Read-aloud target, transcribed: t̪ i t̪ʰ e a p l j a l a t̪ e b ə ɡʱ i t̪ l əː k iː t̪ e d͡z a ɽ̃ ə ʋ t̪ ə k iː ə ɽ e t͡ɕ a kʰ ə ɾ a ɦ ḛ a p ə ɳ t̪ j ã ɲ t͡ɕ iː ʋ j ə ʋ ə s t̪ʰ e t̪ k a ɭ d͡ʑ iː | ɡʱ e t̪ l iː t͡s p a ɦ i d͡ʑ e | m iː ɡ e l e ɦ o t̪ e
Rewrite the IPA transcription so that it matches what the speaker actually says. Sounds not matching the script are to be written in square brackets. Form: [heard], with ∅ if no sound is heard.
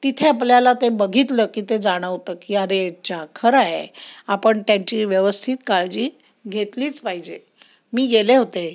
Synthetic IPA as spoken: t̪ i t̪ʰ e a p l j a l a t̪ e b ə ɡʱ i t̪ l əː k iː t̪ e d͡z a ɽ̃ ə ʋ t̪ ə k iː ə [ɾ] e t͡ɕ a kʰ ə ɾ a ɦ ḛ a p ə ɳ t̪ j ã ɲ t͡ɕ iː ʋ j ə ʋ ə s t̪ʰ [i] t̪ k a ɭ d͡ʑ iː | ɡʱ e t̪ l iː t͡s p a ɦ i d͡ʑ e | m iː ɡ e l e ɦ o t̪ e

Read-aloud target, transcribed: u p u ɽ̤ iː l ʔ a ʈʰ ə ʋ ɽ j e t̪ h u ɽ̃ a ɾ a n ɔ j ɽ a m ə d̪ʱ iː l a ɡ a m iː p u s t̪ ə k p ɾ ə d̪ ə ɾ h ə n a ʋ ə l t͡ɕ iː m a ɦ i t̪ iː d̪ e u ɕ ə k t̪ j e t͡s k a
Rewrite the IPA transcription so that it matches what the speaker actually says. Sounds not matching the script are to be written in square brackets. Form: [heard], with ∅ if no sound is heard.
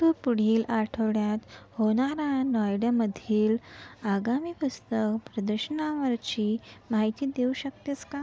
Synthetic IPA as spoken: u p u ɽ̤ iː l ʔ a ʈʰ ə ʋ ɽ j [a] t̪ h [o] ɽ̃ a ɾ a n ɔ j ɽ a m ə d̪ʱ iː l a ɡ a m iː p u s t̪ ə k p ɾ ə d̪ ə ɾ [ɕ] ə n a ʋ ə [ɾ] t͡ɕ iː m a ɦ i t̪ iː d̪ e u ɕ ə k t̪ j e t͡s k a

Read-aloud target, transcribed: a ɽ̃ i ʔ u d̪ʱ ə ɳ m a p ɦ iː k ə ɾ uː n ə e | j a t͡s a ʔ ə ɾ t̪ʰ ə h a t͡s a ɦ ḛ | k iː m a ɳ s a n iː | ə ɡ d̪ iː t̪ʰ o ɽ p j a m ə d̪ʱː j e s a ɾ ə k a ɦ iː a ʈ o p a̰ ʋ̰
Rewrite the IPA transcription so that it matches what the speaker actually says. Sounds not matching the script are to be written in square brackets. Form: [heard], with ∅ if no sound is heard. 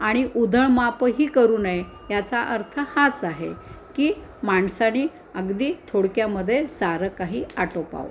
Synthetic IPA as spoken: a ɽ̃ i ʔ u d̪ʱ ə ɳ m a p ɦ iː k ə ɾ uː n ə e | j a t͡s a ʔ ə ɾ t̪ʰ ə h a t͡s a ɦ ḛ | k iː m a ɳ s a n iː | ə ɡ d̪ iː t̪ʰ o ɽ [k] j a m ə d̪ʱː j e s a ɾ ə k a ɦ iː a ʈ o p a̰ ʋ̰

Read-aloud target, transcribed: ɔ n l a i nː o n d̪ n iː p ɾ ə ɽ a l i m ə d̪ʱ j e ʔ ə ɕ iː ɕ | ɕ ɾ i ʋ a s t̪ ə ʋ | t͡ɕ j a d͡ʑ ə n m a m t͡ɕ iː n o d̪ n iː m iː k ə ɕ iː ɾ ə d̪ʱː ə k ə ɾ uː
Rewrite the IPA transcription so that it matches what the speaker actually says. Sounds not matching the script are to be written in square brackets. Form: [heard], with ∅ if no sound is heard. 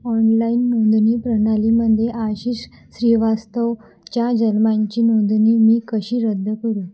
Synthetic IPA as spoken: ɔ n l a i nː o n d̪ n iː p ɾ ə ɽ a l i m ə d̪ʱ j e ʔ [a] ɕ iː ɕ | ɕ ɾ i ʋ a s t̪ ə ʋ | t͡ɕ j a d͡ʑ ə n m a [ɲ] t͡ɕ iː n o d̪ n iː m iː k ə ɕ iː ɾ ə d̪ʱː ə k ə ɾ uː

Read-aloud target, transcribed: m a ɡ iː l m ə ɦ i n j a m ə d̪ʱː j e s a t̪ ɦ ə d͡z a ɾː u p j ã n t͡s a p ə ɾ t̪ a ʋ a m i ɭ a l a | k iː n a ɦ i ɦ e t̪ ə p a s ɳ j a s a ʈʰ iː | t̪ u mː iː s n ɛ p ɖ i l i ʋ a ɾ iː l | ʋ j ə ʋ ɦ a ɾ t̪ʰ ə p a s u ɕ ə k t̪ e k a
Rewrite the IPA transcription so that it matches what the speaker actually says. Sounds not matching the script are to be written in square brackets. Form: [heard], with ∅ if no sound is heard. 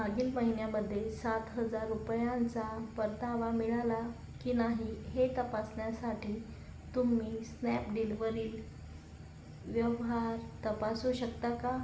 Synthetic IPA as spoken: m a ɡ iː l m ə ɦ i n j a m ə d̪ʱː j e s a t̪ ɦ ə d͡z a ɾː u p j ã n t͡s a p ə ɾ t̪ a ʋ a m i ɭ a l a | k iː n a ɦ i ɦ e t̪ ə p a s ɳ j a s a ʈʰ iː | t̪ u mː iː s n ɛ p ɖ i l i ʋ [ə] ɾ iː l | ʋ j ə ʋ ɦ a ɾ [t̪] ə p a s u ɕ ə k t̪ [a] k a

